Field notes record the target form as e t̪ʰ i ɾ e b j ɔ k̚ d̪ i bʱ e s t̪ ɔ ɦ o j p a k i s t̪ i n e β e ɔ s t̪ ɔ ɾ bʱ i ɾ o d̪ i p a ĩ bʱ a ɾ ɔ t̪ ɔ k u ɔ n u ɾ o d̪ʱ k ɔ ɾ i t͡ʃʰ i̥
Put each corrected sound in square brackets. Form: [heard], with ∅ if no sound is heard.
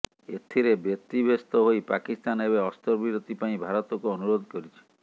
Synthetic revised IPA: e t̪ʰ i ɾ e b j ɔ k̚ [t̪] i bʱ e s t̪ ɔ ɦ o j p a k i s t̪ [a] n e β e ɔ s t̪ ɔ ɾ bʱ i ɾ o [t̪] i p a ĩ bʱ a ɾ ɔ t̪ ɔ k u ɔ n u ɾ o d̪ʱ k ɔ ɾ i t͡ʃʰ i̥